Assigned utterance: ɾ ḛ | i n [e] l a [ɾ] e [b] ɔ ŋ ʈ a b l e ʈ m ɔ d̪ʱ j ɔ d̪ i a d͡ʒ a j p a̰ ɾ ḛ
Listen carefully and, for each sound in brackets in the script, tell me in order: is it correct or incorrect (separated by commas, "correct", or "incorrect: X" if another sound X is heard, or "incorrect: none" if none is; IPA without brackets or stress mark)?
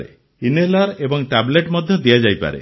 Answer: correct, correct, correct